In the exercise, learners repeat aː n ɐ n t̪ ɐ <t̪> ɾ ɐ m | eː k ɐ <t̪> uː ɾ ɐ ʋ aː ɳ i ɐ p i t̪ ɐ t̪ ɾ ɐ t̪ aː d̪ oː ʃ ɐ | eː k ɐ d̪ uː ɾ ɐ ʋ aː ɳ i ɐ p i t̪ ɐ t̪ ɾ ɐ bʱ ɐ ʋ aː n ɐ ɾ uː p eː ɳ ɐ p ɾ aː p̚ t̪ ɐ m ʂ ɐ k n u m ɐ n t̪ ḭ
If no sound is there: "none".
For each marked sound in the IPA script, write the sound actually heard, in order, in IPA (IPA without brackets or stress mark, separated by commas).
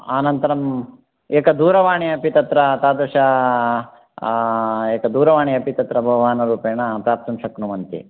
none, d̪